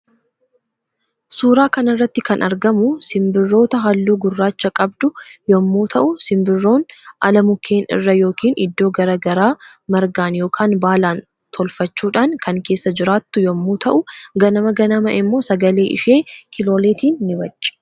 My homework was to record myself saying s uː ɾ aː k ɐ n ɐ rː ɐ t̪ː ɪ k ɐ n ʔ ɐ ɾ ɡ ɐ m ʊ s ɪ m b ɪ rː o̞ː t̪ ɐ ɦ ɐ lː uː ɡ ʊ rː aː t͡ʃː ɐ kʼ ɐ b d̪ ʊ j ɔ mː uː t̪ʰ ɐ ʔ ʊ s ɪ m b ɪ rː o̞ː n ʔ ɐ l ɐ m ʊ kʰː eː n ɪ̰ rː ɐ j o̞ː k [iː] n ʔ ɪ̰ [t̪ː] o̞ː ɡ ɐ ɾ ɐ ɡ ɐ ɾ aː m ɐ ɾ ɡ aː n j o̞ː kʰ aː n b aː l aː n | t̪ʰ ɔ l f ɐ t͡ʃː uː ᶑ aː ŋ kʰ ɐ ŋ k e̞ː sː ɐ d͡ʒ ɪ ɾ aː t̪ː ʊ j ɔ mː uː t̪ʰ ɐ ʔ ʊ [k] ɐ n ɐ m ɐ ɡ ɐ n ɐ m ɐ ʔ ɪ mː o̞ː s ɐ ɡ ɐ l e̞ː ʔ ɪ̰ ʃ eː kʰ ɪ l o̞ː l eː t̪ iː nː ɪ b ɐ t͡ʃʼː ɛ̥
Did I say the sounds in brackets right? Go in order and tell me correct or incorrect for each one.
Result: correct, incorrect: d̪ː, incorrect: ɡ

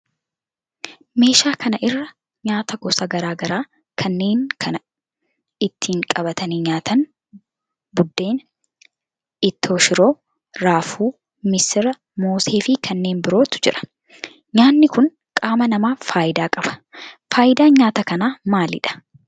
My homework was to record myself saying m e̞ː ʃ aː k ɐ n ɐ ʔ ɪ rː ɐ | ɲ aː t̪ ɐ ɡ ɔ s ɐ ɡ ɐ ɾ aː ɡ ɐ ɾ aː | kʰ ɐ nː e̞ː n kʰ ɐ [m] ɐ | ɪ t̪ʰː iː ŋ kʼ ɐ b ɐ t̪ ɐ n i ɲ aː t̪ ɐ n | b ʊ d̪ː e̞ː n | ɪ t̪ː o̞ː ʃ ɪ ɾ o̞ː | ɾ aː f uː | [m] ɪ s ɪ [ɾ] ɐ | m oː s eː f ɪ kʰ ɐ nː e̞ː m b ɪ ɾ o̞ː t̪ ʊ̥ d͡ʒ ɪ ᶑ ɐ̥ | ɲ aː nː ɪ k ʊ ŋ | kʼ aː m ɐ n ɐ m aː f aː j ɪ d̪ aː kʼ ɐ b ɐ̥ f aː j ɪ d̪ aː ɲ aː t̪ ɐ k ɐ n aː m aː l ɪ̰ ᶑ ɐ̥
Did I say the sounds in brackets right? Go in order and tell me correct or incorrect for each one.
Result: incorrect: n, correct, correct

